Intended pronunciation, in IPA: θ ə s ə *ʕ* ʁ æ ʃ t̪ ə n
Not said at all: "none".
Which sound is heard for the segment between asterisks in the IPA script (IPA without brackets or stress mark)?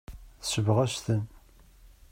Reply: v